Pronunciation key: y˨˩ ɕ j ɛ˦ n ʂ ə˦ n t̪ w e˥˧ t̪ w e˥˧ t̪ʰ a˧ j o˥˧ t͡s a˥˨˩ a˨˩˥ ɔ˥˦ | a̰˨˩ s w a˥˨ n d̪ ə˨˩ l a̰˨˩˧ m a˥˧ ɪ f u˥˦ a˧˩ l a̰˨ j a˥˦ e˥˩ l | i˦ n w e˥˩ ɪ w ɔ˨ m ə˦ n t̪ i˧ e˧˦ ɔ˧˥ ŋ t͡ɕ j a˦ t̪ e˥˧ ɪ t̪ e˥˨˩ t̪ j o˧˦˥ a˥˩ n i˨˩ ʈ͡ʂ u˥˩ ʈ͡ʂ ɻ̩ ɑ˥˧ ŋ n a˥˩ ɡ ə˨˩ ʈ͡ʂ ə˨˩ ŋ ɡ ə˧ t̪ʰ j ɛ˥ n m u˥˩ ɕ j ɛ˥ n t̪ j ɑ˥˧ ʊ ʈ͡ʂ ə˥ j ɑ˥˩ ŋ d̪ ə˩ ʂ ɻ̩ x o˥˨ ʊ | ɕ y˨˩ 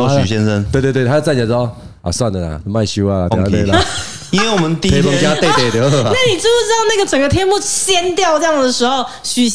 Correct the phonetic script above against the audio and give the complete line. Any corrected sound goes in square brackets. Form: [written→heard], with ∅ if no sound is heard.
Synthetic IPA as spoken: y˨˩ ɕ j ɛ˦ n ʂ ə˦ n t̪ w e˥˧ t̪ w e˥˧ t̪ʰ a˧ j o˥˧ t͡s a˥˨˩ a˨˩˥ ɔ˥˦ | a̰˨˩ s w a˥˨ n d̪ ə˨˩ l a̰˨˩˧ m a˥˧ ɪ [f→ɕ] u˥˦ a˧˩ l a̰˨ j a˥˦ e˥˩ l | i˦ n w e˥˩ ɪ w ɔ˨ m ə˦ n t̪ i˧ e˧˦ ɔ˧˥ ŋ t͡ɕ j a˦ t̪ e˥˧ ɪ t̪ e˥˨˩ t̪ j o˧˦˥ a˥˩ n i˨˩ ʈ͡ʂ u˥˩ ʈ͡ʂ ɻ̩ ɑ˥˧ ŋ n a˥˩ ɡ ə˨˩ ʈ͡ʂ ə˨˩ ŋ ɡ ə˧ t̪ʰ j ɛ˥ n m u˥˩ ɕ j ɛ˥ n t̪ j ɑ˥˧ ʊ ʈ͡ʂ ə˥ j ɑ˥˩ ŋ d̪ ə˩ ʂ ɻ̩ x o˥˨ ʊ | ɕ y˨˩